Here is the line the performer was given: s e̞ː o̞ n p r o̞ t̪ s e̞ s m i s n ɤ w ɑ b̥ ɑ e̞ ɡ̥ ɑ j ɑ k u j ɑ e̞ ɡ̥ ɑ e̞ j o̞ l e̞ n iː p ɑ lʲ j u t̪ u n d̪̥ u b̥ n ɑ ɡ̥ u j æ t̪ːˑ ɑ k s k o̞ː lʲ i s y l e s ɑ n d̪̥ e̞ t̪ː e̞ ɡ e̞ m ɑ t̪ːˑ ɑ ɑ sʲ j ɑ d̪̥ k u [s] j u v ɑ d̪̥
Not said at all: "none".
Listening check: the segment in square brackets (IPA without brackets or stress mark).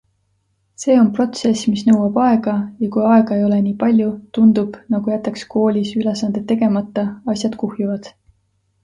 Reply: h